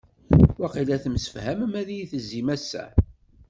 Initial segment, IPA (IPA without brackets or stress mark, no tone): w